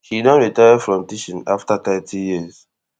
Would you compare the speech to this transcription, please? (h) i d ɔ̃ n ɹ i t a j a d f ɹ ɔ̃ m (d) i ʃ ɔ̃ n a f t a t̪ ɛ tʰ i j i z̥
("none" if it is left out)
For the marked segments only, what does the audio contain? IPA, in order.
h, t

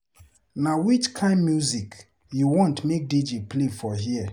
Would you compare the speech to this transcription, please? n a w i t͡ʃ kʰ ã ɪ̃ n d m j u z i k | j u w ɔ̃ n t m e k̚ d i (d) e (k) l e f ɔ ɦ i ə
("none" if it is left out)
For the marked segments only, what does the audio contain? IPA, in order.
d͡ʒ, p

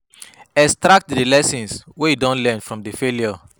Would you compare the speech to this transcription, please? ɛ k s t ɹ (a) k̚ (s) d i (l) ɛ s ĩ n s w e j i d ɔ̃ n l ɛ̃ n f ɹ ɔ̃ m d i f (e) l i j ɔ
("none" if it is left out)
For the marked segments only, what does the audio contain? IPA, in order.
a, t, l, e

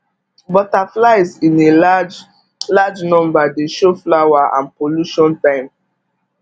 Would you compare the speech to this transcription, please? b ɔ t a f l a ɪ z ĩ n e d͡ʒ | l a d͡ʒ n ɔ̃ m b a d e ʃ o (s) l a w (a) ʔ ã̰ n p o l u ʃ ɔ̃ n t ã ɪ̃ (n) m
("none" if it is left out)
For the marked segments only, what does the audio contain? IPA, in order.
f, a, none

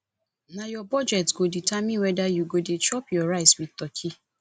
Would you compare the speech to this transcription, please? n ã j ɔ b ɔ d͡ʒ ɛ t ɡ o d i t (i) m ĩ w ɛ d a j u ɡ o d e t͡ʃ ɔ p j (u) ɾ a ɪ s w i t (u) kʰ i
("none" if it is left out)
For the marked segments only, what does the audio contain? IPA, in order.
a, ɔ, ɔ

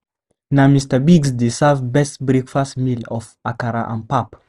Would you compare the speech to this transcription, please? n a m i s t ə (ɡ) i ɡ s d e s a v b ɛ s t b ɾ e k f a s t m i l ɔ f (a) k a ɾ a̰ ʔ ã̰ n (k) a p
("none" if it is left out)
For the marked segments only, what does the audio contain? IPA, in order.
b, a, p

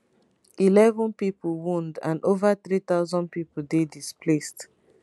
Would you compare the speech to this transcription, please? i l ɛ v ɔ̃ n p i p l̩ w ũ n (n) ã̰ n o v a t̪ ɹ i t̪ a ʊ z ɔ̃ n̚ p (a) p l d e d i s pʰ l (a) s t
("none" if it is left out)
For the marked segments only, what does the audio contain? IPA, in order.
d, i, e

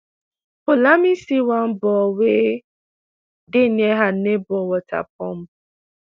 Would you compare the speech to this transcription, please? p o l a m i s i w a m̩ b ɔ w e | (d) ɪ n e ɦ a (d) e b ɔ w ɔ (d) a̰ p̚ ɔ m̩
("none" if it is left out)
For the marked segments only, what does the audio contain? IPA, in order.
d, n, t

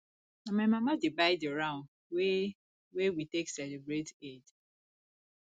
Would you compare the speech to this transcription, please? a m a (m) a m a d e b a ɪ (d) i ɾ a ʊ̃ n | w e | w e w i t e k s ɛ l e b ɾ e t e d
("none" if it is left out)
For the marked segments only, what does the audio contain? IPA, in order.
m, d

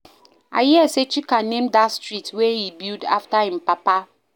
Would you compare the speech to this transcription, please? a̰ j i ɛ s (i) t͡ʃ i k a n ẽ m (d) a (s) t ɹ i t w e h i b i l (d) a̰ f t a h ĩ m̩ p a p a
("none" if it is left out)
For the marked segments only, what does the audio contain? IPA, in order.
e, d, s, d

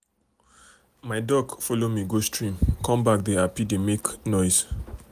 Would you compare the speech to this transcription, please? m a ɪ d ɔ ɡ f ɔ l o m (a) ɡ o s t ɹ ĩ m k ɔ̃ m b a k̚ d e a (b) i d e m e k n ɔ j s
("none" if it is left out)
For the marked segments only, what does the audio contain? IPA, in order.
i, p

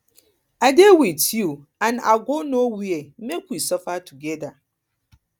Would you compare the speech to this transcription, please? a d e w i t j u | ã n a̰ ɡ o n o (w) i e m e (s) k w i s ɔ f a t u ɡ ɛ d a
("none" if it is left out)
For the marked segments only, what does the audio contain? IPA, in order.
w, none

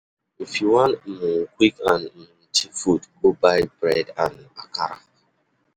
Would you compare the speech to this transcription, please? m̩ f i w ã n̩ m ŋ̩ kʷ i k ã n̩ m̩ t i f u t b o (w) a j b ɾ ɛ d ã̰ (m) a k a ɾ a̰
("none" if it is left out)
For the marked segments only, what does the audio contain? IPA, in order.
b, n

